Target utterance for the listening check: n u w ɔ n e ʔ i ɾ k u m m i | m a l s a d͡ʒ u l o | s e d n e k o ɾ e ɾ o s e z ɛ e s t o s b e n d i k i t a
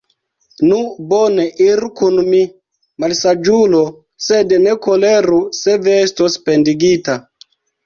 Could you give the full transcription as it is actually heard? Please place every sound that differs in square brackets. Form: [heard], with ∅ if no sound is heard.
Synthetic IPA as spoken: n u [b] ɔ n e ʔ i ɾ k u [n] m i | m a l s a d͡ʒ u l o | s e d n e k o [l] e ɾ [u] s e [v] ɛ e s t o s [p] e n d i [ɡ] i t a